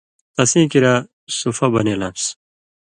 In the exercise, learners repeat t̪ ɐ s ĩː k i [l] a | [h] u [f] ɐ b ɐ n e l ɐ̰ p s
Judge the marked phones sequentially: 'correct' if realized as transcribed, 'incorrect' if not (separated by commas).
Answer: incorrect, incorrect, correct